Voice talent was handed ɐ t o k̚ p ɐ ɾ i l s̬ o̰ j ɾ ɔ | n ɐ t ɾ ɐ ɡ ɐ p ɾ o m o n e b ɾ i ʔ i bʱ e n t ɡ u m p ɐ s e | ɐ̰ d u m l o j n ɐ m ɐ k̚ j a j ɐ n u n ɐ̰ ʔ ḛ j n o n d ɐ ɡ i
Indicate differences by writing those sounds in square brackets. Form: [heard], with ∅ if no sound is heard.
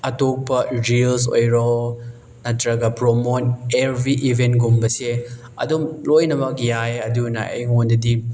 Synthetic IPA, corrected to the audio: ɐ t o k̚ p ɐ ɾ i l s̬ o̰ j ɾ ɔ | n ɐ t ɾ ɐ ɡ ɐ p ɾ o m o n e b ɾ i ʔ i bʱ e n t ɡ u m [b] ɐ s e | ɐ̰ d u m l o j n ɐ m ɐ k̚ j a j ɐ [d] u n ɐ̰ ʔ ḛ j [ŋ] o n d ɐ [d] i